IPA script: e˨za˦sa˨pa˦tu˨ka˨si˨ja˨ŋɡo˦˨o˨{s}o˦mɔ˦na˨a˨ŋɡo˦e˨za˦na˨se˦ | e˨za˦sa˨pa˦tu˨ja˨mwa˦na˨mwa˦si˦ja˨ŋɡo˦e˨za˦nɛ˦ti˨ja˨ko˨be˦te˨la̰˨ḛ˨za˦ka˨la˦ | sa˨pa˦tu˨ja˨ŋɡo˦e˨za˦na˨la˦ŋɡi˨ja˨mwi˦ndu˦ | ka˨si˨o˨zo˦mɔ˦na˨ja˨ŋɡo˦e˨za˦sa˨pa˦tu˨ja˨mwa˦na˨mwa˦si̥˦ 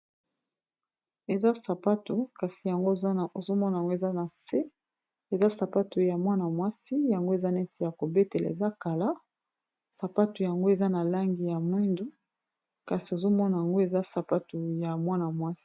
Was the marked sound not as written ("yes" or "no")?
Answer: yes